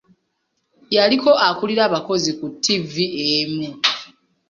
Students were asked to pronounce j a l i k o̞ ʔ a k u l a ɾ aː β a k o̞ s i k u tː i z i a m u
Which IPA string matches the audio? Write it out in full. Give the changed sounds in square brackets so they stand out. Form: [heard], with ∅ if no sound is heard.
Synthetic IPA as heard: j a l i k o̞ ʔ a k u l [i] ɾ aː β a k o̞ [z] i k u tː i [v] i [e] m u